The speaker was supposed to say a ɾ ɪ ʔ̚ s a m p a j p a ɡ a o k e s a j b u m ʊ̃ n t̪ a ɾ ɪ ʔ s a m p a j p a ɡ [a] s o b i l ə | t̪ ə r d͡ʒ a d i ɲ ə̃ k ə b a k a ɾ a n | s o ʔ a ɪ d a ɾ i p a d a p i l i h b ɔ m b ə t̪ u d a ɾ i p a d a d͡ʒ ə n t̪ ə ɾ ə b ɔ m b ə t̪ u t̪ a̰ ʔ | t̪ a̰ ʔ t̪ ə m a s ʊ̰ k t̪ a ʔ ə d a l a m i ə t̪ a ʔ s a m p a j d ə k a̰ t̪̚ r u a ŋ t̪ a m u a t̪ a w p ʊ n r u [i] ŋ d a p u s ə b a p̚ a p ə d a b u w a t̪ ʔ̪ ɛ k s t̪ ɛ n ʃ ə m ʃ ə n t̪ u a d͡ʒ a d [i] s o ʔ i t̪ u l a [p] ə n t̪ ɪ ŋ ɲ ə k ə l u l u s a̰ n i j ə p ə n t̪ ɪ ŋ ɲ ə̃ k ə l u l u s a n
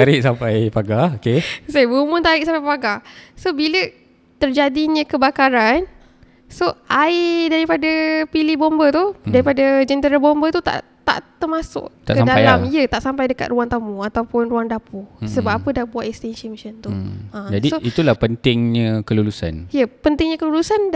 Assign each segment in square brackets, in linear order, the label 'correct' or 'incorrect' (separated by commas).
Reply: correct, incorrect, correct, correct